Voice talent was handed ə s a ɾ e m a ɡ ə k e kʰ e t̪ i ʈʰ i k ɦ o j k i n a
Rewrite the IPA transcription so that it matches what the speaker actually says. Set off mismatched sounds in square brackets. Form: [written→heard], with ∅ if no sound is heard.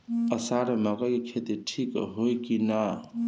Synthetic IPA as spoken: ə s a ɾ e m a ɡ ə k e kʰ e t̪ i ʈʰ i k ɦ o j k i n a